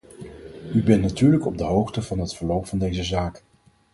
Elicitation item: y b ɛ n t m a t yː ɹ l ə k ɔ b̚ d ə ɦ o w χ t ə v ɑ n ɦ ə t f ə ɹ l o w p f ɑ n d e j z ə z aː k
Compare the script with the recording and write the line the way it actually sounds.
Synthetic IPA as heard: y b ɛ n t n a t yː ɹ l ə k ɔ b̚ d ə ɦ o w χ t ə v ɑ n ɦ ə t f ə ɹ l o w p f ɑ n d e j z ə z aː k